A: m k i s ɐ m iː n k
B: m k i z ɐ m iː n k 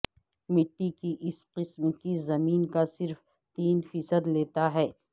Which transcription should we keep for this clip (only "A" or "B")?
B